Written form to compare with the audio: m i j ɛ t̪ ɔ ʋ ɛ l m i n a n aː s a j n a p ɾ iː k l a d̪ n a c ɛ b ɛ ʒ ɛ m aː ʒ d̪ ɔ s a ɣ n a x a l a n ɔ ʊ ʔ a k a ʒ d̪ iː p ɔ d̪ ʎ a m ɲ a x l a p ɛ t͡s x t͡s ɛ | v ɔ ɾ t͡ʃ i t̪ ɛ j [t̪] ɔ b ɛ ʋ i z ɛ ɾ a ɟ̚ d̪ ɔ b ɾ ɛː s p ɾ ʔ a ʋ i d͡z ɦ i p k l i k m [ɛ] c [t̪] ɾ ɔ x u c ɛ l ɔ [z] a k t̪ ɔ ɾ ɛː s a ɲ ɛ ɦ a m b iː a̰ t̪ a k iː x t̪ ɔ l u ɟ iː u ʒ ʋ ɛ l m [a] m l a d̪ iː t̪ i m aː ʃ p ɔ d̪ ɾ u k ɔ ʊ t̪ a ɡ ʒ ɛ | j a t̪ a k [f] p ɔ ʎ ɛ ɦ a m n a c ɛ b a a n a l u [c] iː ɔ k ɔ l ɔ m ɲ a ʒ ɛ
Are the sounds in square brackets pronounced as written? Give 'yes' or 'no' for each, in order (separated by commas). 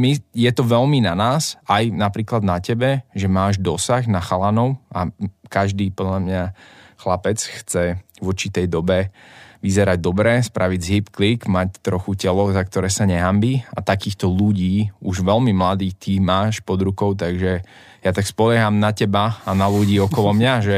no, no, yes, yes, no, no, no